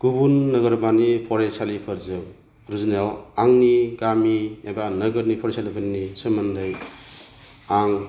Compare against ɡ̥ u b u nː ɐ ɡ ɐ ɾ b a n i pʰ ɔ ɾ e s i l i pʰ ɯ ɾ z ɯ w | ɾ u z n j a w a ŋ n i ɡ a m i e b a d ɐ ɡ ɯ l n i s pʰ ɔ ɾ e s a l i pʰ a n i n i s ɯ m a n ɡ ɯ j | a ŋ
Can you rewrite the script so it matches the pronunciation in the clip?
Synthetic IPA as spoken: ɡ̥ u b u nː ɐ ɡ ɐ ɾ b a n i pʰ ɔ ɾ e s a l i pʰ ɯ ɾ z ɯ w | ɾ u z n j a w a ŋ n i ɡ a m i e b a n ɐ ɡ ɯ ɾ n i pʰ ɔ ɾ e s a l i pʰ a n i n i s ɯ m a n d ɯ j | a ŋ